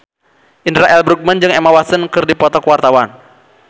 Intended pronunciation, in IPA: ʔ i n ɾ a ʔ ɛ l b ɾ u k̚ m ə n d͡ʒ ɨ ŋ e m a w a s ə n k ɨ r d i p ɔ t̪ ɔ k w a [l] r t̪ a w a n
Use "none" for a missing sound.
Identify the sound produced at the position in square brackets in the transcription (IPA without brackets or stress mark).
none